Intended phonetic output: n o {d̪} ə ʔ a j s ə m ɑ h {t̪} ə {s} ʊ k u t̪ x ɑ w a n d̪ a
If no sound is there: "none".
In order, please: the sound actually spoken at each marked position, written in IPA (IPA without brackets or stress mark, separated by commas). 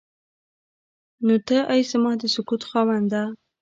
t̪, d̪, s